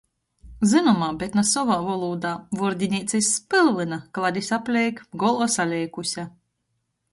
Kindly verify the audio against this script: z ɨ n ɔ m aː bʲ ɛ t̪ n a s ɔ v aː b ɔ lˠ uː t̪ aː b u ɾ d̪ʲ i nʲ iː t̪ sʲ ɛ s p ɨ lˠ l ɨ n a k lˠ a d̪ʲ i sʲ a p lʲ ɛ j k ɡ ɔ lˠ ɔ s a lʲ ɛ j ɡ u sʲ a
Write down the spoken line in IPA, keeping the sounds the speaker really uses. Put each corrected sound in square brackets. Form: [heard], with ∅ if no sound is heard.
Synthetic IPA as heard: z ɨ n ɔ m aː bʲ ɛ t̪ n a s ɔ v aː [v] ɔ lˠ uː [d̪] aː [v] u ɾ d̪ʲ i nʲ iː t̪ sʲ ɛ s p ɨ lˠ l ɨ n a k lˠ a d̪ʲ i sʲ a p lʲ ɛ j k ɡ ɔ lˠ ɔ s a lʲ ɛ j [k] u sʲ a